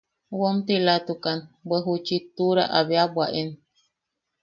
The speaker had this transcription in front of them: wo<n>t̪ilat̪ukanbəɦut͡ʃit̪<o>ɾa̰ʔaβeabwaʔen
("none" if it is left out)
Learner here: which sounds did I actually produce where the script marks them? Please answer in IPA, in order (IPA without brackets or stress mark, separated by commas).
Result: m, u